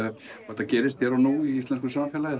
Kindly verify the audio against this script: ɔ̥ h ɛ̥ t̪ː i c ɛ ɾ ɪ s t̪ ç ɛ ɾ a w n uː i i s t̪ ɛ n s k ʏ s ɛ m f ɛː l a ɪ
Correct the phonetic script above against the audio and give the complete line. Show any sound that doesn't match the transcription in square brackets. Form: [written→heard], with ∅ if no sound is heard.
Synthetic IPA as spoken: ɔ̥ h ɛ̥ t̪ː [i→a] c [ɛ→ɛː] ɾ ɪ s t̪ ç ɛ ɾ a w n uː i i s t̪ ɛ n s k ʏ s [ɛ→a] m f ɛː l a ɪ